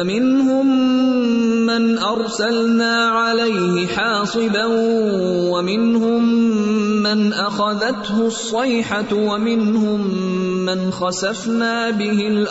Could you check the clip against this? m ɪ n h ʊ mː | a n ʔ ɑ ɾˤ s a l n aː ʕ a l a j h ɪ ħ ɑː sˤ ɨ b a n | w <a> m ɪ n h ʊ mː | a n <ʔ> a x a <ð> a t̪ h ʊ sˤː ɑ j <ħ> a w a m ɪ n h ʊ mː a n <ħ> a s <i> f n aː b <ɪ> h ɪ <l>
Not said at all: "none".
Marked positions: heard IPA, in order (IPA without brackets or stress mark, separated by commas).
a, ʔ, ð, ħ, x, a, ɪ, l